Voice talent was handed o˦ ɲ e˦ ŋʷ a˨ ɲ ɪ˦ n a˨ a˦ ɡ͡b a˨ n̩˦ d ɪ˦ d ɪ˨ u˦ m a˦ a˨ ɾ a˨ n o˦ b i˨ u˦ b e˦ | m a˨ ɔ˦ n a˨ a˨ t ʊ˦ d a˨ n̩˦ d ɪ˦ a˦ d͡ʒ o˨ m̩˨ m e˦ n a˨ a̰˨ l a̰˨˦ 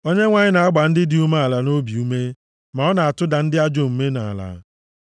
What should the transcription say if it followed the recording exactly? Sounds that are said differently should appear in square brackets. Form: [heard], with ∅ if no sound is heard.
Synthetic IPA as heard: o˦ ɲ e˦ ŋʷ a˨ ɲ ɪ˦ n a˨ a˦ ɡ͡b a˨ n̩˦ d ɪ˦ d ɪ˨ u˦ m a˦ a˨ [l] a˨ n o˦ b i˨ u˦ [m] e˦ | m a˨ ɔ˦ n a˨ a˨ t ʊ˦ d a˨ n̩˦ d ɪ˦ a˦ d͡ʒ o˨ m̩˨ m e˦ n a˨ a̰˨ l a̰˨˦